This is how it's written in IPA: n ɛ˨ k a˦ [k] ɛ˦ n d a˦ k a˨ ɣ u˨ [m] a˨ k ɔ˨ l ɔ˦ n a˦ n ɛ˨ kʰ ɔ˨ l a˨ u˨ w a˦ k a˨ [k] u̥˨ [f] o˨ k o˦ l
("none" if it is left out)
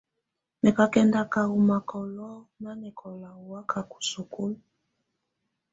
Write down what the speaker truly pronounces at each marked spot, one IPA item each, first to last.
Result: k, m, k, s

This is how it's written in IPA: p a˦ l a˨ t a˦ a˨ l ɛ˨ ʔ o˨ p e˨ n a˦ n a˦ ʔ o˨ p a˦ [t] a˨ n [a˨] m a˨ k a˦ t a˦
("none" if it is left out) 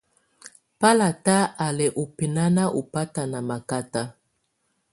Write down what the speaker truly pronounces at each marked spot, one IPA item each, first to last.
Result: t, a˨

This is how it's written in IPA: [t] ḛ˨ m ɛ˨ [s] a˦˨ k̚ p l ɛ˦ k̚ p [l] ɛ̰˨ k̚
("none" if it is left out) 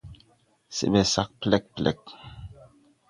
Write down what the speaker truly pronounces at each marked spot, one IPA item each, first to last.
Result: s, s, l

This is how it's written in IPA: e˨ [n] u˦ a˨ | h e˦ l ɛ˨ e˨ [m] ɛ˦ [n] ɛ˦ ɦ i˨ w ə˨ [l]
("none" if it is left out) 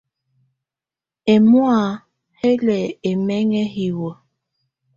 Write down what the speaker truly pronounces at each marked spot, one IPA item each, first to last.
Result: m, m, ŋ, none

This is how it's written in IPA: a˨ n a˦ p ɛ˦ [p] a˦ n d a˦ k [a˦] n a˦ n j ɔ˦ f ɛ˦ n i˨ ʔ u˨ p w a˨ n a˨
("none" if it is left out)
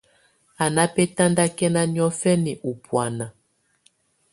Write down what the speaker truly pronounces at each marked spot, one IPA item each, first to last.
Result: t, ɛ˦

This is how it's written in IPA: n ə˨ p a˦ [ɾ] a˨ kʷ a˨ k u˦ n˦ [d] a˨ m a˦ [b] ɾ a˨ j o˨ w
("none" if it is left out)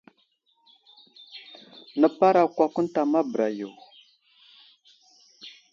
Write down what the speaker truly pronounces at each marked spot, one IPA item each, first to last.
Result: ɾ, t, b

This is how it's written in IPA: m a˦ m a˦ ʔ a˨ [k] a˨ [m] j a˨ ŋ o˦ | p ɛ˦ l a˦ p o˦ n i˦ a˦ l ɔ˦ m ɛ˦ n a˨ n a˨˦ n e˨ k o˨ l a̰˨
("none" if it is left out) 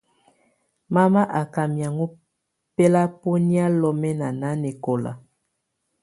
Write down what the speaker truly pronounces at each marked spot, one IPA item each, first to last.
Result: k, m

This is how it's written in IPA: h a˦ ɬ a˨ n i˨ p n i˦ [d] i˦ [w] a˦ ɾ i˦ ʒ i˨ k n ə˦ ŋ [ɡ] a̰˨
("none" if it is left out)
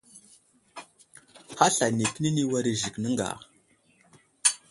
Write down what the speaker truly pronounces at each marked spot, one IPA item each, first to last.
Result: n, w, ɡ

